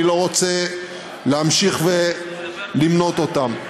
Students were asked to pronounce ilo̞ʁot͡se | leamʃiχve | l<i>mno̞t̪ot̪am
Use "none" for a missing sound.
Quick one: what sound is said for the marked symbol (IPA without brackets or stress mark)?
i